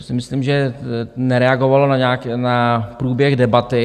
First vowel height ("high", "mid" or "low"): high